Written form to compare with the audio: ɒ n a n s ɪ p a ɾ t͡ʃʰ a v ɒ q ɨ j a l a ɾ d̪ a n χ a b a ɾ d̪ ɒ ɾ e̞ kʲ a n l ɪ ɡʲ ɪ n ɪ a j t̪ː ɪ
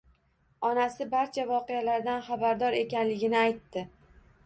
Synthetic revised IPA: ɒ n a s ɪ b a ɾ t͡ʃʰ a v ɒ q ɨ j a l a ɾ d̪ a n χ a b a ɾ d̪ ɒ ɾ e̞ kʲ a n l ɪ ɡʲ ɪ n ɪ a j t̪ː ɪ